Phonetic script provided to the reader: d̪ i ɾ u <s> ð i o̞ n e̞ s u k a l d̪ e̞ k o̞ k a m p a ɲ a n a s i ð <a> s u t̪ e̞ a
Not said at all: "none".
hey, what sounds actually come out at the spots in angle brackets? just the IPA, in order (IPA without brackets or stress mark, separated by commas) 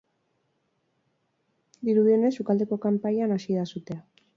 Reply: none, a